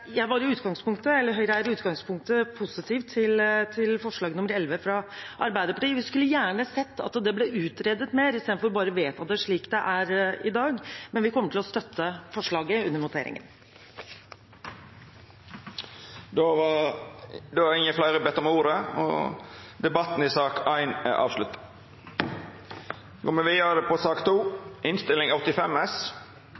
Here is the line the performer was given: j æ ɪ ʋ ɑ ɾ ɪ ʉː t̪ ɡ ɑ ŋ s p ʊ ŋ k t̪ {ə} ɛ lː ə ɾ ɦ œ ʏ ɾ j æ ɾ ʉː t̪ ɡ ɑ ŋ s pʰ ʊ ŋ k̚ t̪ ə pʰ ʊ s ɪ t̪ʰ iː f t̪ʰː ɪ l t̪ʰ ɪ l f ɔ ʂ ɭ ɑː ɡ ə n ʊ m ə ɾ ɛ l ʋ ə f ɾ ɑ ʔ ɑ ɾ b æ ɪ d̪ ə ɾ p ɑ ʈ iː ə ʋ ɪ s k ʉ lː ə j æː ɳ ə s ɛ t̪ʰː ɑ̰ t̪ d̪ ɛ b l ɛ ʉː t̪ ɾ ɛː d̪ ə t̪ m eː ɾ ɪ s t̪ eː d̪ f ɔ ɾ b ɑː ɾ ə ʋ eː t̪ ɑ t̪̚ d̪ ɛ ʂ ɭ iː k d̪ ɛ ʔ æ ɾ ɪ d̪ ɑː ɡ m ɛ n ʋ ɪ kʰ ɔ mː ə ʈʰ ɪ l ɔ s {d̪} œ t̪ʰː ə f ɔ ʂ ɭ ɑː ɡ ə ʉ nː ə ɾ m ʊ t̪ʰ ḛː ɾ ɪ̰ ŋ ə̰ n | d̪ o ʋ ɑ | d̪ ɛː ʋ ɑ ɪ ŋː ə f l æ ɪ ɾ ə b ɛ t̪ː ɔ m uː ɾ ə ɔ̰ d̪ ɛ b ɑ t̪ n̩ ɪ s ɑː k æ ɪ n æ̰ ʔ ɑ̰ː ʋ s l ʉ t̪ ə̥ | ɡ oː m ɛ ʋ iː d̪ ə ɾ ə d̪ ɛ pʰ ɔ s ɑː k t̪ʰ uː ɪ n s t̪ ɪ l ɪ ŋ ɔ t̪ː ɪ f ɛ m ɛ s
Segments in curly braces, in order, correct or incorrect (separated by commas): correct, incorrect